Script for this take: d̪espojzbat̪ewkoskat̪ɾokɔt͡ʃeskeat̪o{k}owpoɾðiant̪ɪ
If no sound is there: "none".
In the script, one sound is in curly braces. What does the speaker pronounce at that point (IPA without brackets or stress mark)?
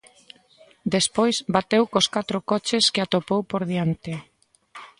p